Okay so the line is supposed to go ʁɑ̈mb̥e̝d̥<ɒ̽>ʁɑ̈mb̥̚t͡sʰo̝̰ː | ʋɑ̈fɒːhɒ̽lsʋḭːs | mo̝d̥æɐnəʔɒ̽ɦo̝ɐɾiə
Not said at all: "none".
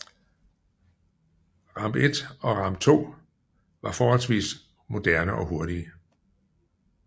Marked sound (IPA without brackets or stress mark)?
ɒ̽